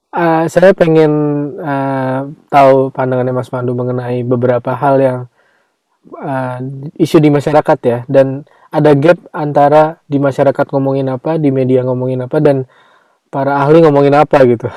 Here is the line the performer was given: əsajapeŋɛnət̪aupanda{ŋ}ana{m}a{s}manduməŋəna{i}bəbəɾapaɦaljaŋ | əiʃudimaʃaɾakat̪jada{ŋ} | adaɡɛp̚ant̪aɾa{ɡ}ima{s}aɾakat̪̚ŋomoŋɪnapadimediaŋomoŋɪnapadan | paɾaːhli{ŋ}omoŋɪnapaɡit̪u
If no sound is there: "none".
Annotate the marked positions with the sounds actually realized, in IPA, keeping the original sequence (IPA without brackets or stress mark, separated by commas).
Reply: ŋ, m, s, i, n, d, ʃ, ŋ